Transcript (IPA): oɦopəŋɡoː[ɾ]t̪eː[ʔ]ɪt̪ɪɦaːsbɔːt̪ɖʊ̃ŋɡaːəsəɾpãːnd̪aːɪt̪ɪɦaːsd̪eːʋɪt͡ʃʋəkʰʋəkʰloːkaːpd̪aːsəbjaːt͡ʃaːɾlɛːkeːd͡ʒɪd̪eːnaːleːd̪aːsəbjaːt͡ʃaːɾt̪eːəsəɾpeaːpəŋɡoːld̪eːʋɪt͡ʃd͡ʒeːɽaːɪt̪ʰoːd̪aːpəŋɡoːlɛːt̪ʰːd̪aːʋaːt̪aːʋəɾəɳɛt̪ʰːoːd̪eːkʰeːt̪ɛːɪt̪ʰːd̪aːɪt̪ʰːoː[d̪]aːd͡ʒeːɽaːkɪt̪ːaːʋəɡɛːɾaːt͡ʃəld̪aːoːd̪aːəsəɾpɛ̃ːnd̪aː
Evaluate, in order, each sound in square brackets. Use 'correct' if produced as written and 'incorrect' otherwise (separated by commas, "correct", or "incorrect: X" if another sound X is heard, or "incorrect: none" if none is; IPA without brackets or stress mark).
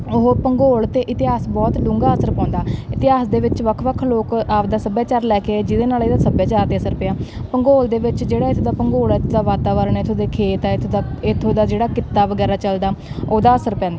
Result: incorrect: l, correct, correct